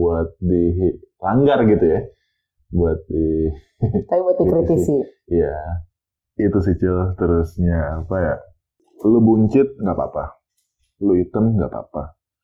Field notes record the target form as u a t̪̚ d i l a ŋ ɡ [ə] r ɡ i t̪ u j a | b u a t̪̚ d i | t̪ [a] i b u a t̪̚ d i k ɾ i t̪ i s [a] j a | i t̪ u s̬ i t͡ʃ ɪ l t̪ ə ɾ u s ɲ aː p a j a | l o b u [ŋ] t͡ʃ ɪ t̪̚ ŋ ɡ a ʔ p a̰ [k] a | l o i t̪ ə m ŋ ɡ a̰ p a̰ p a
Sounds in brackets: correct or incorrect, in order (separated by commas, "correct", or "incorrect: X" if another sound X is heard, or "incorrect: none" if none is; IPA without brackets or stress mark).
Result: incorrect: a, correct, incorrect: i, incorrect: ɲ, incorrect: p